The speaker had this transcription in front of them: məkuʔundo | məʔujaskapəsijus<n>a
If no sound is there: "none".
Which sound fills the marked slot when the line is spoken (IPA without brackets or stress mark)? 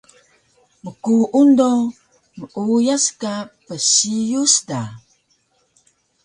d